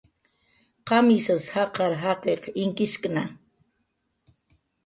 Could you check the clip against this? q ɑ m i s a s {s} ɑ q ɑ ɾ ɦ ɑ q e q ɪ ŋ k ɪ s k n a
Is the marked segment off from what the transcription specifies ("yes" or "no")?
yes